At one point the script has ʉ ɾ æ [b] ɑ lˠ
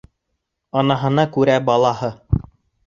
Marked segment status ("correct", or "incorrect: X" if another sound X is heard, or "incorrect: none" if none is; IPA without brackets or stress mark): correct